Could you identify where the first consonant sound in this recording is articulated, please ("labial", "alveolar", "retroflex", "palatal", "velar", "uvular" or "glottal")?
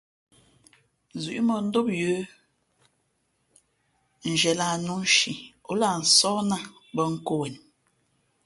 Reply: alveolar